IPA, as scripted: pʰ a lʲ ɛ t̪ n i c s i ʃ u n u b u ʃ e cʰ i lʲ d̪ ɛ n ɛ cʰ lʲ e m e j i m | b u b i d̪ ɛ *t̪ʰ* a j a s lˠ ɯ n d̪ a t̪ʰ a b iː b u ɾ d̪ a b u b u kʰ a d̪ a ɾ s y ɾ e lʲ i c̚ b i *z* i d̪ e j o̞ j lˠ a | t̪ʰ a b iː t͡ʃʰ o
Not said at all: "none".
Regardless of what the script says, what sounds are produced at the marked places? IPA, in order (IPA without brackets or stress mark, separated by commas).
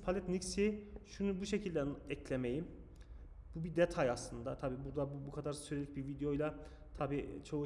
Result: t̪ʰ, v